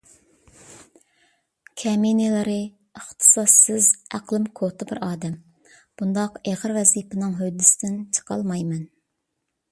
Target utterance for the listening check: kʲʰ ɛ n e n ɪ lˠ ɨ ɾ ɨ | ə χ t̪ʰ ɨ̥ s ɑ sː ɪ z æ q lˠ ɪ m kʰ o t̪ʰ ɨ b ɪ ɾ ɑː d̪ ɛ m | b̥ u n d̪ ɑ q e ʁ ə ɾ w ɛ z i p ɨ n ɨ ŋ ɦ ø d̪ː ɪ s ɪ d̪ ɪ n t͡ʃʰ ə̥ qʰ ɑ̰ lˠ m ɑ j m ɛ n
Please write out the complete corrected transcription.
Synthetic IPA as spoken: kʲʰ ɛ m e n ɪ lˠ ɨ ɾ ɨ | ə χ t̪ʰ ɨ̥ s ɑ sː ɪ z æ q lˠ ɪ m kʰ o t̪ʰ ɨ b ɪ ɾ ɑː d̪ ɛ m | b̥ u n d̪ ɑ q e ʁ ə ɾ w ɛ z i p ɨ n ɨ ŋ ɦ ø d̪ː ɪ s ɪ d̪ ɪ n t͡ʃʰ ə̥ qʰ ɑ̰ lˠ m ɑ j m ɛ n

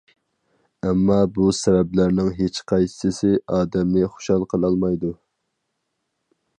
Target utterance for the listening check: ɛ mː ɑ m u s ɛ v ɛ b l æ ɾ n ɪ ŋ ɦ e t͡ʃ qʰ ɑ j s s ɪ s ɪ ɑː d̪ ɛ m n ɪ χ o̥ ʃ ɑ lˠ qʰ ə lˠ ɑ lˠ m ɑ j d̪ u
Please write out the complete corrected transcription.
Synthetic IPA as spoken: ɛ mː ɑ b u s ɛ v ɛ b l æ ɾ n ɪ ŋ ɦ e t͡ʃ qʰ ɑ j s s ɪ s ɪ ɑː d̪ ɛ m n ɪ χ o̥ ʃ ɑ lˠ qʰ ə lˠ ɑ lˠ m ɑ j d̪ u

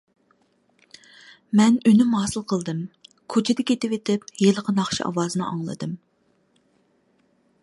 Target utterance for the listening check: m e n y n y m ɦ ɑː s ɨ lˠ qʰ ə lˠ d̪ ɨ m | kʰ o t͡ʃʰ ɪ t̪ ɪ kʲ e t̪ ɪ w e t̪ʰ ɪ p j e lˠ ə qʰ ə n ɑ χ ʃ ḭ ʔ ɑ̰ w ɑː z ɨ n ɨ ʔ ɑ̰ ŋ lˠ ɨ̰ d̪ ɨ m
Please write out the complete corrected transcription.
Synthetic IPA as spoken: m ɛ n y n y m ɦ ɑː s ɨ lˠ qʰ ə lˠ d̪ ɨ m | kʰ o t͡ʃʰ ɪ d̪ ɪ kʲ e t̪ ɪ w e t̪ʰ ɪ p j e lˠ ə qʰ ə n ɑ χ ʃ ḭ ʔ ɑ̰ w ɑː z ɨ n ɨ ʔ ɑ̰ ŋ lˠ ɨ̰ d̪ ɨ m

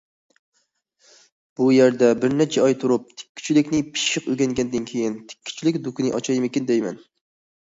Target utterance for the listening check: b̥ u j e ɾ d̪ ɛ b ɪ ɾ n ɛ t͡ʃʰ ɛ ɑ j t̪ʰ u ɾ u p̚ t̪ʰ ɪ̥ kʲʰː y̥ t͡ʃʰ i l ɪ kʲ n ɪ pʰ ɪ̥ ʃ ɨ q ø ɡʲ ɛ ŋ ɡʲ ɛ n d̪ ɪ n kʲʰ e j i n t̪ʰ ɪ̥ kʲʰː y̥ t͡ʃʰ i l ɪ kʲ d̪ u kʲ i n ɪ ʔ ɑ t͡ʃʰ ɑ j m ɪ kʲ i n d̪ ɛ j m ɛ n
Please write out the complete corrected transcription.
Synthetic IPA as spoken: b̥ u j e ɾ d̪ ɛ b ɪ ɾ n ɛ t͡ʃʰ ɛ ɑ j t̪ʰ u ɾ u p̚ t̪ʰ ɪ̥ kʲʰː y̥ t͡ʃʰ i l ɪ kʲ n ɪ pʰ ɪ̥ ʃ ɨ q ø ɡʲ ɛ ŋ ɡʲ ɛ n d̪ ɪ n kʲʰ e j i n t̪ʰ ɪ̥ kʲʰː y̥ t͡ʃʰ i l ɪ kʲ d̪ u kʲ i n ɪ ʔ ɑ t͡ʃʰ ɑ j m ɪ kʲ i n d̪ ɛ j m ɛ n

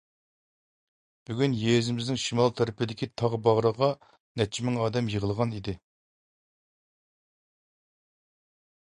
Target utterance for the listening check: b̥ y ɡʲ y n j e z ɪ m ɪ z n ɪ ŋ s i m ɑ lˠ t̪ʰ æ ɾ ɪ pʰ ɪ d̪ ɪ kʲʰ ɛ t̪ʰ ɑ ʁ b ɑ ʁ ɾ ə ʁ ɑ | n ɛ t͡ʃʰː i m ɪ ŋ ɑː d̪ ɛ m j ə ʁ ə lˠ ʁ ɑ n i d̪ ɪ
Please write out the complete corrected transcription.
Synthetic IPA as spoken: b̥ y ɡʲ y n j e z ɪ m ɪ z n ɪ ŋ ʃ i m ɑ lˠ t̪ʰ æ ɾ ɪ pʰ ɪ d̪ ɪ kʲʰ i t̪ʰ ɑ ʁ b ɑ ʁ ɾ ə ʁ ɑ | n ɛ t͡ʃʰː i m ɪ ŋ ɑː d̪ ɛ m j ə ʁ ə lˠ ʁ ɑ n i d̪ ɪ

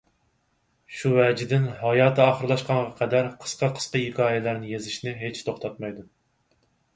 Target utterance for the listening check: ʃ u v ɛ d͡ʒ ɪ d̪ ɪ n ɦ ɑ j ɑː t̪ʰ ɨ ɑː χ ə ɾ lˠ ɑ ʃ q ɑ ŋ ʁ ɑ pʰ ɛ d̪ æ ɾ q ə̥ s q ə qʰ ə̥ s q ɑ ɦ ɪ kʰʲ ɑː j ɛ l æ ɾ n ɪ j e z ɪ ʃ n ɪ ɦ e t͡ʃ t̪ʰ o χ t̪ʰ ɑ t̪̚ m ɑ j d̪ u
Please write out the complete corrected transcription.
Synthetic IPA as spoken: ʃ u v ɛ d͡ʒ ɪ d̪ ɪ n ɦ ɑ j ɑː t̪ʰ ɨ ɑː χ ə ɾ lˠ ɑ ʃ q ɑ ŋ ʁ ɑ qʰ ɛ d̪ æ ɾ qʰ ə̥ s q ɑ qʰ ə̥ s q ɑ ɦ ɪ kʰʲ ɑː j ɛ l æ ɾ n ɪ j e z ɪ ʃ n ɪ ɦ e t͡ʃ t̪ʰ o χ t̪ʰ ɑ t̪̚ m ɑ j d̪ u

